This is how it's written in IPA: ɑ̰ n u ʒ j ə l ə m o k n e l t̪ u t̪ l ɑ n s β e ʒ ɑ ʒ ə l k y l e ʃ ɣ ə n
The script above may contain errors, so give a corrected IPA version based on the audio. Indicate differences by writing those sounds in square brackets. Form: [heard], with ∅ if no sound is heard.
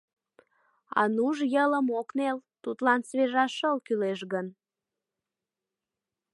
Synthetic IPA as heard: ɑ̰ n u ʒ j ə l ə m o k n e l t̪ u t̪ l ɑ n s β e ʒ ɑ [ʃ] ə l k y l e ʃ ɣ ə n